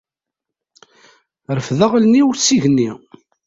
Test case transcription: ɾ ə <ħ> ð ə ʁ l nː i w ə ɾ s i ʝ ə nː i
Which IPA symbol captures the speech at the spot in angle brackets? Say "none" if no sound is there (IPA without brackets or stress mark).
f